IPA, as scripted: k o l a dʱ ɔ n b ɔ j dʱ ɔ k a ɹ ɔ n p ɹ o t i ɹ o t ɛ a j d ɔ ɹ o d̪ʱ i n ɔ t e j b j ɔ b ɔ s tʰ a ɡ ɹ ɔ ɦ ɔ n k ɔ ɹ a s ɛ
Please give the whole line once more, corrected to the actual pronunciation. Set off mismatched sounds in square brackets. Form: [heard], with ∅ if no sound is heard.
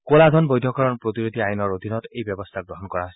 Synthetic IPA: k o l a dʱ ɔ n b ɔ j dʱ ɔ k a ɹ ɔ n p ɹ o t i ɹ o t [i] a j [n] ɔ ɹ o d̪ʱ i n ɔ t e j b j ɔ b ɔ s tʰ a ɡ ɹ ɔ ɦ ɔ n k ɔ ɹ a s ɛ